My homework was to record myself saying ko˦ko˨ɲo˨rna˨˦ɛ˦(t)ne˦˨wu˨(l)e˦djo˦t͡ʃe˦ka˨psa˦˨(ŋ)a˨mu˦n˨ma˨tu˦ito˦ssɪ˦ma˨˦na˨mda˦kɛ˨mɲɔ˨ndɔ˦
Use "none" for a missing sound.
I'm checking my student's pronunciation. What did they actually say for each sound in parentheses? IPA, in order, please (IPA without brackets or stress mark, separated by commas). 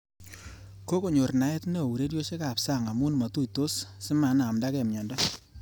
t, ɾ, ŋ